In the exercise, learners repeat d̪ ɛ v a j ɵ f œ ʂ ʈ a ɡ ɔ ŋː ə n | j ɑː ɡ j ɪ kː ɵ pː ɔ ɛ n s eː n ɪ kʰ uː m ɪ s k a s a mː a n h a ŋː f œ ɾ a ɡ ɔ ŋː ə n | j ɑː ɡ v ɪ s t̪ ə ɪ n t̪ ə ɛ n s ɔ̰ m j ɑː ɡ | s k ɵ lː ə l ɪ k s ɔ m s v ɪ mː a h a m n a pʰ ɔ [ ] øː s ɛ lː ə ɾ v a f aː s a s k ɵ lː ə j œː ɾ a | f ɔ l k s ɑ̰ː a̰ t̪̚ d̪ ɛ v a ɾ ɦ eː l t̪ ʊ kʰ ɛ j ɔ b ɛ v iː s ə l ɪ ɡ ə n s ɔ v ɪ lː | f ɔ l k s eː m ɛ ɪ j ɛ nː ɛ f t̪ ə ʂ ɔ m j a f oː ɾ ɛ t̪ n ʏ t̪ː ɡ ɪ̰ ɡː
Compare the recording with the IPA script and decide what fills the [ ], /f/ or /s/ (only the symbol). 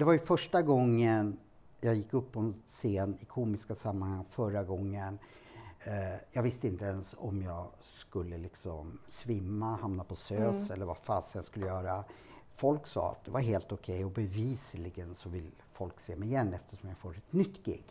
s